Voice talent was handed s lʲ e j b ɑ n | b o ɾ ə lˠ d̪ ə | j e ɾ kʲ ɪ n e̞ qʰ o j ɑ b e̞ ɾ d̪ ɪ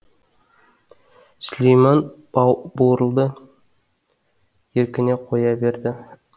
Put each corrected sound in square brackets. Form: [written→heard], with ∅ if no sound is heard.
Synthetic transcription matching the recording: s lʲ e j [b→m] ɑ n | b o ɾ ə lˠ d̪ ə | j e ɾ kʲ ɪ n e̞ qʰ o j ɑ b e̞ ɾ d̪ ɪ